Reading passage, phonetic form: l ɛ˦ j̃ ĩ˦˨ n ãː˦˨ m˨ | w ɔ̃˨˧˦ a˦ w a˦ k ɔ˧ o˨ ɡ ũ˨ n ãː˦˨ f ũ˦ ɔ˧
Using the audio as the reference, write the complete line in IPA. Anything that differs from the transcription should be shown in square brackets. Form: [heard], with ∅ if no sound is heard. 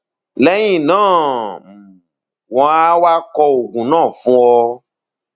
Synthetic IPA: l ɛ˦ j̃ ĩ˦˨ n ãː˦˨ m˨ | w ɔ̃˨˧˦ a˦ w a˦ k ɔ˧ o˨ ɡ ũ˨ n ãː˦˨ f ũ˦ ɔ˧